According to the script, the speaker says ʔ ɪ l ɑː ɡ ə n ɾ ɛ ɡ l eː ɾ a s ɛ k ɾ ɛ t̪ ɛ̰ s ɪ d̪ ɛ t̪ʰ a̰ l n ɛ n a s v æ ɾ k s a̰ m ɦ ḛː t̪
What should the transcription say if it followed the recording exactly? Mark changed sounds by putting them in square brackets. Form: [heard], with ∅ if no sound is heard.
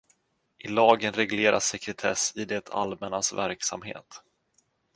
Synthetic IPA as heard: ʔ ɪ l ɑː ɡ ə n ɾ ɛ ɡ l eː ɾ a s ɛ k ɾ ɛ [t̪ʰ] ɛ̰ s ɪ d̪ ɛ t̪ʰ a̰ l [m] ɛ n a s v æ ɾ k s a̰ m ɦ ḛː t̪